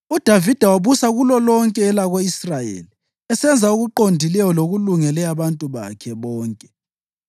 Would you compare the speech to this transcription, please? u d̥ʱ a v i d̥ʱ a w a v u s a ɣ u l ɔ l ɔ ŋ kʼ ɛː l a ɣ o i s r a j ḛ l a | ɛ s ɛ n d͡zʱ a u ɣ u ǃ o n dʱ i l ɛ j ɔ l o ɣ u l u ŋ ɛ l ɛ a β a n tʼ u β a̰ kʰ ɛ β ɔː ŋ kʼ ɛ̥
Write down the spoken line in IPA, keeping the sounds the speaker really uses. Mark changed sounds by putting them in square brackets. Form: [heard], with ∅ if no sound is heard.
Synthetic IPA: u d̥ʱ a v i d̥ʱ a w a [β] u s a ɣ u l ɔ l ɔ ŋ kʼ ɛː l a ɣ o i s r a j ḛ l [i] | ɛ s ɛ n d͡zʱ a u ɣ u ǃ o n dʱ i l ɛ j ɔ l o ɣ u l u ŋ ɛ l ɛ a β a n tʼ u β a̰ kʰ ɛ β ɔː ŋ kʼ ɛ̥